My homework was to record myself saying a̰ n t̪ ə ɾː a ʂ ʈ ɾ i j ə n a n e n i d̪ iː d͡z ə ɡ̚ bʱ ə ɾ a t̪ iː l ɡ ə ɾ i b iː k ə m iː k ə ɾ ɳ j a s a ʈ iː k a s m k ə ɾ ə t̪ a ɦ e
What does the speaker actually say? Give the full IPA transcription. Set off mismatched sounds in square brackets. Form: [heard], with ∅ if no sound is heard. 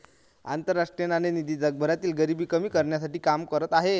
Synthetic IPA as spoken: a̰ n t̪ ə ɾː a ʂ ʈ ɾ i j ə n a n e n i d̪ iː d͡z ə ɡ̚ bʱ ə ɾ a t̪ iː l ɡ ə ɾ i b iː k ə m iː k ə ɾ ɳ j a s a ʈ iː k a [∅] m k ə ɾ ə t̪ a ɦ e